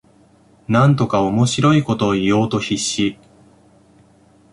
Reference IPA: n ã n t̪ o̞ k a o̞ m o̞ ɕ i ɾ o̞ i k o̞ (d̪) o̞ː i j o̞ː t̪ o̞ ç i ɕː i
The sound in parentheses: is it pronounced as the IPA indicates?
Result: no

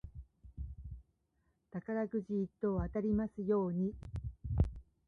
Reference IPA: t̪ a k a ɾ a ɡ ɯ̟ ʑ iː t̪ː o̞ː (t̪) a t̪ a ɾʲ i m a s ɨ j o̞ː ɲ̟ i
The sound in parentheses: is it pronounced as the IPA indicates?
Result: no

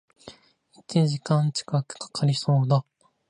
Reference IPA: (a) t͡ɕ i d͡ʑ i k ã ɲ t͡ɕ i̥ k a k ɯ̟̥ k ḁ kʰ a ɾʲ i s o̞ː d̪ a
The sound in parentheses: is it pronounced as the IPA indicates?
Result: no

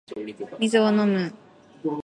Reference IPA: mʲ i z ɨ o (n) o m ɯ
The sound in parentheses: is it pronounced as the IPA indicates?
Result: yes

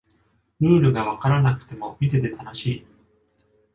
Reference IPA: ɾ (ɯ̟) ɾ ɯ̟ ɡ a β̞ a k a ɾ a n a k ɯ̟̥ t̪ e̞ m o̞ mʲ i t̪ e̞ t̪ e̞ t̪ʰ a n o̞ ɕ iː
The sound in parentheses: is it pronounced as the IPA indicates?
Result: no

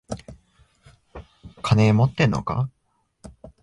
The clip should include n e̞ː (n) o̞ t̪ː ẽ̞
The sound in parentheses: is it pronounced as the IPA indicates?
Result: no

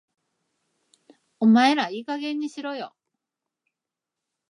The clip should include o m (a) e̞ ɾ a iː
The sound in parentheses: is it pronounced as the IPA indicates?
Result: yes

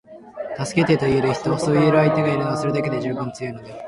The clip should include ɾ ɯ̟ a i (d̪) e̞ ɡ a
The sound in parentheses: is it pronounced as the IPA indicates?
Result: no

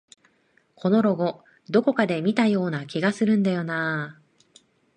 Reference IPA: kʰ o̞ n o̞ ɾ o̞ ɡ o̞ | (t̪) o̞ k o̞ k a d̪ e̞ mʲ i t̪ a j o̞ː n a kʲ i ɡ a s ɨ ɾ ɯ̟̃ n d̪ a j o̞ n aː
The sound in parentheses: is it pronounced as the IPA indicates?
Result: no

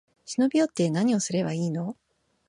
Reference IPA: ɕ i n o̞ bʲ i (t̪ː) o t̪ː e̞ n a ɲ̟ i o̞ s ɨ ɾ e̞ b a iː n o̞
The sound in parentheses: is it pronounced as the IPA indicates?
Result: no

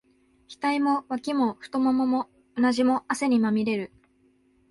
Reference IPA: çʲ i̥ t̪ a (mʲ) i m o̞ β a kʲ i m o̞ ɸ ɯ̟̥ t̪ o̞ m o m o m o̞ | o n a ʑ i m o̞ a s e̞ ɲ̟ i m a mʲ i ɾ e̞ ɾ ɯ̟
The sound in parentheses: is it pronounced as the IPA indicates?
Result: no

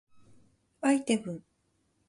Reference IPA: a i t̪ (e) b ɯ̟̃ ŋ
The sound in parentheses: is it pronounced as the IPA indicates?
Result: yes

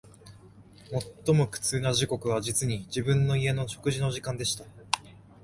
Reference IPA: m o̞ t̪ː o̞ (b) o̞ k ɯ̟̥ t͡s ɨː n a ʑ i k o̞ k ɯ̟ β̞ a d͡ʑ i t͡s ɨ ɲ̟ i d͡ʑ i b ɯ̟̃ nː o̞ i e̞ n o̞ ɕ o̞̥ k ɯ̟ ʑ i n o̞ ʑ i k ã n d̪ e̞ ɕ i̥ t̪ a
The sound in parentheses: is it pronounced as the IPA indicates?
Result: no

